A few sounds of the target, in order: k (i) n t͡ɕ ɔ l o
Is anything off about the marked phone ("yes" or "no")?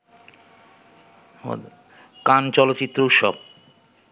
yes